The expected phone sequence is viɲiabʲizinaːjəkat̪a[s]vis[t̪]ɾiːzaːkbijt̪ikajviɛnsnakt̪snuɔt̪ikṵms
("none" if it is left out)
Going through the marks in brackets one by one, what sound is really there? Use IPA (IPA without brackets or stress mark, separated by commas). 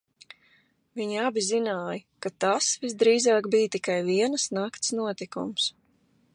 s, d̪